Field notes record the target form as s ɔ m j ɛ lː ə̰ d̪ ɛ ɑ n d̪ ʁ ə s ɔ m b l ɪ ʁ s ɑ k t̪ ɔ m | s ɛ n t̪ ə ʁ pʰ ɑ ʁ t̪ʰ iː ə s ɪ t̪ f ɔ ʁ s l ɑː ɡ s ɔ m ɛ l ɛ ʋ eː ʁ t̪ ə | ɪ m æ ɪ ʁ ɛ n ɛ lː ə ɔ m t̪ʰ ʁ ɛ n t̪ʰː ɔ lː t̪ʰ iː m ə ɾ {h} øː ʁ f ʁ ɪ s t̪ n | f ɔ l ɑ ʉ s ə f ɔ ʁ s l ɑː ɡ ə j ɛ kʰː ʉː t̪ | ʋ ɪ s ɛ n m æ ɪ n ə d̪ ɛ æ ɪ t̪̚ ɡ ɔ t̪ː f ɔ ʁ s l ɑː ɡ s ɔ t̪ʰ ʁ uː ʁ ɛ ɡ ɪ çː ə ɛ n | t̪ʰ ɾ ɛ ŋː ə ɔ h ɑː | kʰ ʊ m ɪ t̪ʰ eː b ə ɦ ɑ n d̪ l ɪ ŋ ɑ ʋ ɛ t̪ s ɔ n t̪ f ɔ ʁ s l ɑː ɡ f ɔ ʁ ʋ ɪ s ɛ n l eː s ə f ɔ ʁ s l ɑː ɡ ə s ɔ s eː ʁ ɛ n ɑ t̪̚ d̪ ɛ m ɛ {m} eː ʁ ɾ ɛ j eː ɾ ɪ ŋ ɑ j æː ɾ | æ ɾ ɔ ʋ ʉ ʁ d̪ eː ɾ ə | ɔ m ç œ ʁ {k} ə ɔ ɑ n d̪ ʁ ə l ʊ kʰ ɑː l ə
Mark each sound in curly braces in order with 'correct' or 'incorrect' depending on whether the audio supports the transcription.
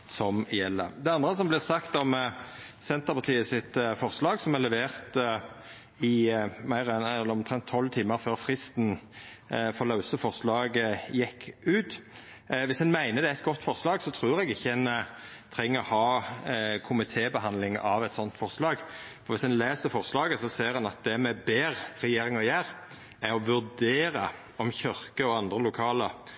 incorrect, incorrect, correct

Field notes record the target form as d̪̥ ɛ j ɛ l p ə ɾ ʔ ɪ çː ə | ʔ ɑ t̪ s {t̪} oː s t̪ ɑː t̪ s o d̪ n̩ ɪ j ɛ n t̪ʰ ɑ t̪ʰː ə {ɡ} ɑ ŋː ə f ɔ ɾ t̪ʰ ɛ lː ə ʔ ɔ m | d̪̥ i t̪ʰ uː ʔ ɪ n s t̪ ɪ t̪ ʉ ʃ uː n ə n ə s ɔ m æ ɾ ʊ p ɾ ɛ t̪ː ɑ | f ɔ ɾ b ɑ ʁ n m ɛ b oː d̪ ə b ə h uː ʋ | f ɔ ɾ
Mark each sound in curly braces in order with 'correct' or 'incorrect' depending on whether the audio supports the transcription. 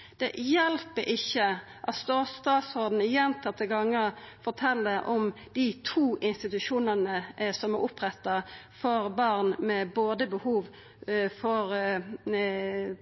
correct, correct

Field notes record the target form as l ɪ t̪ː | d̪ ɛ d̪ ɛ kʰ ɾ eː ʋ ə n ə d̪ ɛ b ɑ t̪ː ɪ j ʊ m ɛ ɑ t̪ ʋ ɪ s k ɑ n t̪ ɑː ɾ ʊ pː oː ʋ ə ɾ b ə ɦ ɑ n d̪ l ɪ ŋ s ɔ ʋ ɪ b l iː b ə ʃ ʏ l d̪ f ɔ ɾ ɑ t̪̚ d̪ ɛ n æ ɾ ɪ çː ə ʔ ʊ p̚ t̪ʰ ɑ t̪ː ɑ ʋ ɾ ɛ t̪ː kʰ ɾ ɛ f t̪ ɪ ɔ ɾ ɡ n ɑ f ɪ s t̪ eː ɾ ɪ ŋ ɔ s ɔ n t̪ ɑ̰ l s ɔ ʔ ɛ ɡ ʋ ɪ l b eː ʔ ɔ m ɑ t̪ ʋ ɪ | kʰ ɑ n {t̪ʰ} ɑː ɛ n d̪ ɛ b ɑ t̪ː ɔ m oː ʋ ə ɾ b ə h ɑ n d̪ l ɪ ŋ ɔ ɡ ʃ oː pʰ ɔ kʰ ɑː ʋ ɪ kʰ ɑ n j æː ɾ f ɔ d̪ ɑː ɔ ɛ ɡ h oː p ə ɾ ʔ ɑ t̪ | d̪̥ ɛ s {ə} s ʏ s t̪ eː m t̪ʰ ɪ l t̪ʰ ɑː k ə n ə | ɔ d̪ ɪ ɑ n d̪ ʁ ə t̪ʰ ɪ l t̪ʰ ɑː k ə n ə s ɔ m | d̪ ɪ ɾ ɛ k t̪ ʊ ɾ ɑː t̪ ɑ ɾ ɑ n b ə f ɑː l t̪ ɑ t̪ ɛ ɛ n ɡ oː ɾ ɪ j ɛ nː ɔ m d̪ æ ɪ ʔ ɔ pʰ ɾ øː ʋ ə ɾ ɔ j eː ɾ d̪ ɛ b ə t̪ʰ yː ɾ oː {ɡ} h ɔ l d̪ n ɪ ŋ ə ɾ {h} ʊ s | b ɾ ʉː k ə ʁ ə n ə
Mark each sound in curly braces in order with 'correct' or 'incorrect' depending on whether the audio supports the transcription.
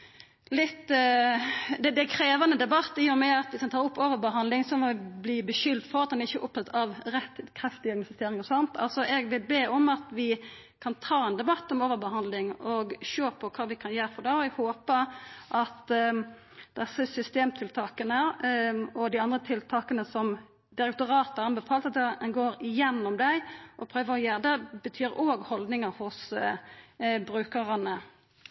correct, correct, correct, correct

